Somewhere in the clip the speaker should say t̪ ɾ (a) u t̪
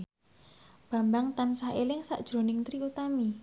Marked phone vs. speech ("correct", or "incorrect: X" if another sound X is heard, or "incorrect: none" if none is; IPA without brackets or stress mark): incorrect: i